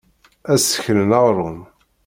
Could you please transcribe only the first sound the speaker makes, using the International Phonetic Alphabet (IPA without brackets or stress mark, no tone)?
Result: æ